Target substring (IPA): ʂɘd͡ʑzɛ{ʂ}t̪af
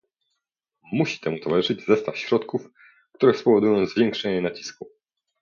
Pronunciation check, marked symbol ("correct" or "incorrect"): incorrect